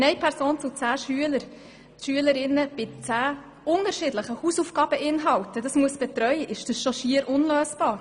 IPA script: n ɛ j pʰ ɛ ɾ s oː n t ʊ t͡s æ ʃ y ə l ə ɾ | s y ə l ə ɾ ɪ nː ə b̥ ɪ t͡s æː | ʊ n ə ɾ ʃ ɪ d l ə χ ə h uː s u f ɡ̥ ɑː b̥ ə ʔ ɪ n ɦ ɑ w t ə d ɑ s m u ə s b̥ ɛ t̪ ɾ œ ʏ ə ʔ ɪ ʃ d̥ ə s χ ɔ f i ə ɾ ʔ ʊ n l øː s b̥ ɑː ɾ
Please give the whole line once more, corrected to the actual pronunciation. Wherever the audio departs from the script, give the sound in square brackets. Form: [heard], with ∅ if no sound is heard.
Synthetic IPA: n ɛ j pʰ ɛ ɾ s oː n [t͡s] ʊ t͡s [æː] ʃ y ə l ə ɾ | [ʃ] y ə l ə ɾ ɪ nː ə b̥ ɪ t͡s æː | ʊ n ə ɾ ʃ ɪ d l ə χ ə h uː s u f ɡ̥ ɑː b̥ ə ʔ ɪ n ɦ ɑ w t ə d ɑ s m u ə s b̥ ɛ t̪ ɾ œ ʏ ə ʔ ɪ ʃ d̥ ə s [ʃ] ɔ [ʃ] i ə ɾ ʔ ʊ n l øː s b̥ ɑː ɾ